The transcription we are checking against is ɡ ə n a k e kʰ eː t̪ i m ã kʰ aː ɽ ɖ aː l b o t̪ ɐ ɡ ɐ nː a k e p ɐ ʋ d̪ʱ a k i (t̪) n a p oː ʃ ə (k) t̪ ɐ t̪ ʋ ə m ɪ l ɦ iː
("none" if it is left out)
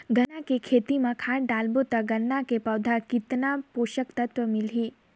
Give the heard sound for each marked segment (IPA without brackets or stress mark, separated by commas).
t̪, k